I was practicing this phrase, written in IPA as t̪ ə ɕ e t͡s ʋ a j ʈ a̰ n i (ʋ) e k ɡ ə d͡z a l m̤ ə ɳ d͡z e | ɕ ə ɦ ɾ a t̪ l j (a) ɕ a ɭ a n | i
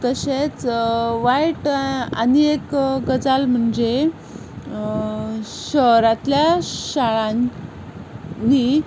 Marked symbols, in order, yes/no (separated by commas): no, yes